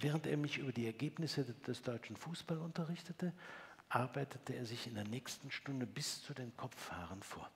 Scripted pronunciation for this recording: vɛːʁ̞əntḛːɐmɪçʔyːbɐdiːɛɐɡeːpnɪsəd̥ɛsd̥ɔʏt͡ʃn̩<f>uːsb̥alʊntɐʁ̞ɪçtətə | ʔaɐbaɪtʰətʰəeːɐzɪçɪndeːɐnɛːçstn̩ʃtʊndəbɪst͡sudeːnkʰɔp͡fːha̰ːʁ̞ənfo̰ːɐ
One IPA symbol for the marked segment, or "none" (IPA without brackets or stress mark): f